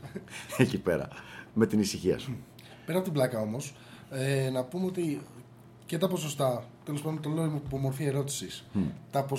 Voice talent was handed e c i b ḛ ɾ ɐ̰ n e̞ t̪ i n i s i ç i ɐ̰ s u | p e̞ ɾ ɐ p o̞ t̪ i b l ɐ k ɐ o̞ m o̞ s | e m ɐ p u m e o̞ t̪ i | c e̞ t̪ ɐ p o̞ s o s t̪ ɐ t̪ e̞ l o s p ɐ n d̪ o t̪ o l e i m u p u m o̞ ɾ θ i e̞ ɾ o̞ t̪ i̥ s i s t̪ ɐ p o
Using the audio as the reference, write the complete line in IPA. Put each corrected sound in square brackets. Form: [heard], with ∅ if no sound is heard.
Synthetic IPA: e c i [p] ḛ ɾ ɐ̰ [m] e̞ t̪ i n i s i ç i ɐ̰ s u | p e̞ ɾ ɐ p o̞ t̪ i b l ɐ k ɐ o̞ m o̞ s | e [n] ɐ p u m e o̞ t̪ i | c e̞ t̪ ɐ p o̞ s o s t̪ ɐ t̪ e̞ l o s p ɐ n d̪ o t̪ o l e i m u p [o] m o̞ ɾ θ i e̞ ɾ o̞ t̪ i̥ s i s t̪ ɐ p o